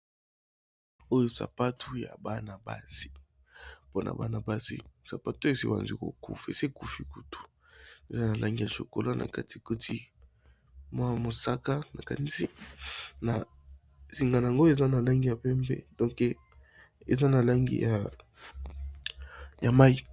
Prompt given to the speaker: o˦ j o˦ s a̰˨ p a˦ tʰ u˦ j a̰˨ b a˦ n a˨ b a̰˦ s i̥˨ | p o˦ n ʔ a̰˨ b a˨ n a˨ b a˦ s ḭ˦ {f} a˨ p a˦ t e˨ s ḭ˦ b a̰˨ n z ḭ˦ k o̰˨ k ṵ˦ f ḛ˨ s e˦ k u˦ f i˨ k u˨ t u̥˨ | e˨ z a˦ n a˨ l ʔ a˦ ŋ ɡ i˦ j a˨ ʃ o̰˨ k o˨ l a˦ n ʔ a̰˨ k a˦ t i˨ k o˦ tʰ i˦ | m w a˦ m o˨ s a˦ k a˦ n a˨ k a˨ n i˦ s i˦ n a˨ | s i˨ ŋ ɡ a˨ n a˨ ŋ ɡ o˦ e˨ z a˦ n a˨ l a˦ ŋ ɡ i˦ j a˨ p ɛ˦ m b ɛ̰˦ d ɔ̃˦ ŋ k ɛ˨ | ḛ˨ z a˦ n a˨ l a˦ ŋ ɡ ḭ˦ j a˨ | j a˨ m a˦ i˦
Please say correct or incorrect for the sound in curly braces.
incorrect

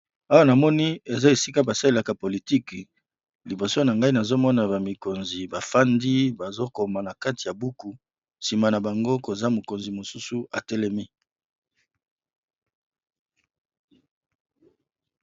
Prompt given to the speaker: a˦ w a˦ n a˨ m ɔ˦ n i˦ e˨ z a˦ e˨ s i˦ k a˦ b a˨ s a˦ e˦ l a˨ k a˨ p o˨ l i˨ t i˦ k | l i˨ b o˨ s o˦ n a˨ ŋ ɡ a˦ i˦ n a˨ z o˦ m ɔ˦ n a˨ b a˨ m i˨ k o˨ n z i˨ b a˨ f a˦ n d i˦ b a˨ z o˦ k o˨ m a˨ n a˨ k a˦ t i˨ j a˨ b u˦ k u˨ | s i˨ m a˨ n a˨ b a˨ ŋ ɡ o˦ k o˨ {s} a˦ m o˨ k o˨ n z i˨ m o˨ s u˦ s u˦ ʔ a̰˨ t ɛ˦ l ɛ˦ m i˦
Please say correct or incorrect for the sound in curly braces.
incorrect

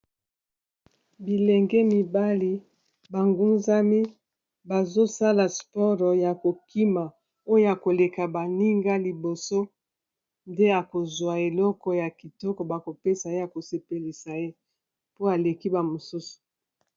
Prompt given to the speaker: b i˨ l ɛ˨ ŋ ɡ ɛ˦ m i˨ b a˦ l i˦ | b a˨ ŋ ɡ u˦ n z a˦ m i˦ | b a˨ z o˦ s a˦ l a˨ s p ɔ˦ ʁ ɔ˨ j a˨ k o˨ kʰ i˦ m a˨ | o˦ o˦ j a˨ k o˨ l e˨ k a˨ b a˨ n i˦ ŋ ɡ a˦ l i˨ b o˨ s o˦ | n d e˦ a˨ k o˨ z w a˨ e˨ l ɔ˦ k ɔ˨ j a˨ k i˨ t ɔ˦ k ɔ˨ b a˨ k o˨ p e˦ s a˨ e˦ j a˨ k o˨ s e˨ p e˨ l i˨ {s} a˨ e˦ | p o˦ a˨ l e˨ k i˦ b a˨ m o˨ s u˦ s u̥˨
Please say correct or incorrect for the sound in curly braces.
correct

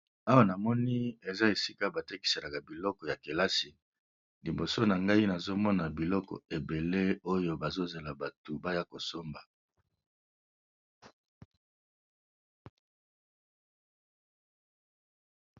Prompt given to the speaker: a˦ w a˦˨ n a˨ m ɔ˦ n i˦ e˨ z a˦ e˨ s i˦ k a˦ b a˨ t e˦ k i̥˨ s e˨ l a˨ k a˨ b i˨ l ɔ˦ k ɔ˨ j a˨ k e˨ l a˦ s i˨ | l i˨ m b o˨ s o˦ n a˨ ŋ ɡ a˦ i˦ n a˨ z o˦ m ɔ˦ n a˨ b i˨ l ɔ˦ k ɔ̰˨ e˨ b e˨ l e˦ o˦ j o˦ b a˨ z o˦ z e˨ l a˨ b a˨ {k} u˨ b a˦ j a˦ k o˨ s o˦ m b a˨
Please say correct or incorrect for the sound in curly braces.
incorrect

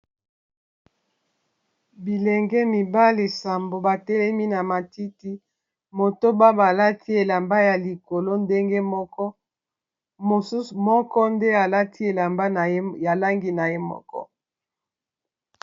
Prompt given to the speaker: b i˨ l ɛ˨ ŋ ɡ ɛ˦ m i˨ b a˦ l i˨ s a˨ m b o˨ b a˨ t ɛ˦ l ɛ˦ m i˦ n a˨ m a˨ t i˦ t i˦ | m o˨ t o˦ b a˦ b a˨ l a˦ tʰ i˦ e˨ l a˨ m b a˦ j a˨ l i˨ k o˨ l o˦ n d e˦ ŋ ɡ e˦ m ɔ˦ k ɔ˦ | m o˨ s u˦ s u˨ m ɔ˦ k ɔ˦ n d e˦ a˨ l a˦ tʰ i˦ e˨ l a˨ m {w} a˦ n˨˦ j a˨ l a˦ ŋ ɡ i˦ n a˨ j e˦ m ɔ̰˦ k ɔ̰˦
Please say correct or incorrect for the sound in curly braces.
incorrect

